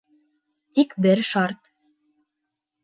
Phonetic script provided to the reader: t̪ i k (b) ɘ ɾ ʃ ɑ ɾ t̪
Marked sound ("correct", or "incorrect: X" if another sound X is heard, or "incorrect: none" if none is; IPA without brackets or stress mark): correct